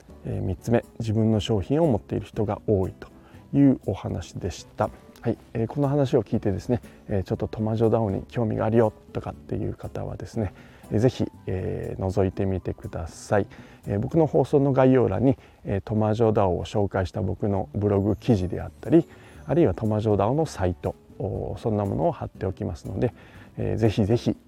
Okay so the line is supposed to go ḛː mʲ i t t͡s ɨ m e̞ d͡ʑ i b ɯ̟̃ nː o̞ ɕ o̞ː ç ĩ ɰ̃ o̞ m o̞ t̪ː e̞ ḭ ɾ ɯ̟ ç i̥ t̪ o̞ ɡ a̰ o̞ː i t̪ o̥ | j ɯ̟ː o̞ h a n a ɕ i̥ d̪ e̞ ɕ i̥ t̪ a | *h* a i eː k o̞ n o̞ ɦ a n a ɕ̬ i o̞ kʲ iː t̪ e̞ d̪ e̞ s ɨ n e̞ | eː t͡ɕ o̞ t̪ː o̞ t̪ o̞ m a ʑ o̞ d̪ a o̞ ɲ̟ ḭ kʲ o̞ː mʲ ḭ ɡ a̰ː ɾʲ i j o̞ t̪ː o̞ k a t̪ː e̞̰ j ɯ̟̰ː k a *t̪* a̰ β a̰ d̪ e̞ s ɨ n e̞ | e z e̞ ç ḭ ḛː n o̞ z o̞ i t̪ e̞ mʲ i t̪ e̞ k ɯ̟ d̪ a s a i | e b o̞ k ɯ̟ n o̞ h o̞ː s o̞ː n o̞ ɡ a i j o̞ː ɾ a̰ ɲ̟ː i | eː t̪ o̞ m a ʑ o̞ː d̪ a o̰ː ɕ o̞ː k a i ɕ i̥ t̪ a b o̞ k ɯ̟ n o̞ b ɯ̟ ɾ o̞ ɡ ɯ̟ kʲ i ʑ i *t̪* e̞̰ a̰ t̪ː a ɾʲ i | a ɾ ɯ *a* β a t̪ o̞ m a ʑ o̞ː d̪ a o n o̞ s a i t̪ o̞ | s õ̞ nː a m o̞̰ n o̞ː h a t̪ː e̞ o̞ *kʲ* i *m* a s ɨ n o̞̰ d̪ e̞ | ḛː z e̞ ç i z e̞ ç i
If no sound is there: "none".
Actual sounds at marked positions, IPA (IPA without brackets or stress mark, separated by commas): h, t̪, d̪, i, kʲ, m